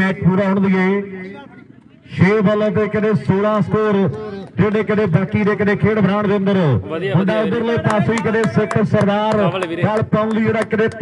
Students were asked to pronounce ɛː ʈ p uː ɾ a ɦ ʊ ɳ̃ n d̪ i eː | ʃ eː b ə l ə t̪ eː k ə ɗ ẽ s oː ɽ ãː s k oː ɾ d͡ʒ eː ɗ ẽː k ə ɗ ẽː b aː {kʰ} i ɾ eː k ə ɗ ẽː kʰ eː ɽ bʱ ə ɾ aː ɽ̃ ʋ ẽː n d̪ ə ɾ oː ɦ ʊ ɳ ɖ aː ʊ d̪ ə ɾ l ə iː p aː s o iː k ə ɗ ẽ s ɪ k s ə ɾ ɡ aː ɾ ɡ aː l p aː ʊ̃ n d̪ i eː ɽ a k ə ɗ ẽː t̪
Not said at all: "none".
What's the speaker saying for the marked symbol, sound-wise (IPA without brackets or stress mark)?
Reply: k